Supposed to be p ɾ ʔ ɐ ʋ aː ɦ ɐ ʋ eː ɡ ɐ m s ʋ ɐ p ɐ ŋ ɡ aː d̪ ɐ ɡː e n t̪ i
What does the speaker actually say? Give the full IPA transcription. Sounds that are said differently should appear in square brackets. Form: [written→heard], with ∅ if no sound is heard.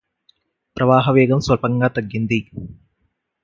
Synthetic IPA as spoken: p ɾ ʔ ɐ ʋ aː ɦ ɐ ʋ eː ɡ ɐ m s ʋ ɐ p ɐ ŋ ɡ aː [d̪→t̪] ɐ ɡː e n [t̪→d̪] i